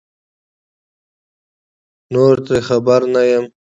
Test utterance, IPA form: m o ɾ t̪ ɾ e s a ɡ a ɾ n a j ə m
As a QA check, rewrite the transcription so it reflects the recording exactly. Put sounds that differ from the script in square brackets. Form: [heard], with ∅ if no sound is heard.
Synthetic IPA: [n] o ɾ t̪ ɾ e [x] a [b] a ɾ n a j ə m